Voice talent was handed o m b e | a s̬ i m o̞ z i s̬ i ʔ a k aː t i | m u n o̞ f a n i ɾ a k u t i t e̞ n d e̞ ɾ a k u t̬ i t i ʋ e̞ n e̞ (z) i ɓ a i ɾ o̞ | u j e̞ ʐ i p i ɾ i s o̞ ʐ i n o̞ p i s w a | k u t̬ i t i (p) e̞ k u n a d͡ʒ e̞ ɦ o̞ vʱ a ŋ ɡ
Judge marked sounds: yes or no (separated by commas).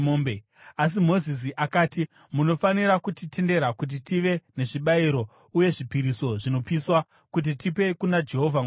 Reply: no, yes